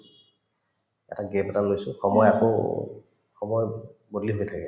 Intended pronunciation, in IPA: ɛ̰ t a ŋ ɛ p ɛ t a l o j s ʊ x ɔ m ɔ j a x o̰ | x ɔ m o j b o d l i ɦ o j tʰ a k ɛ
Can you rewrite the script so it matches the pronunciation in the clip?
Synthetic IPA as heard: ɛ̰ t a ɡ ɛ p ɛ t a l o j s ʊ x ɔ m ɔ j a k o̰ | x ɔ m ɔ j b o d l i ɦ o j tʰ a k ɛ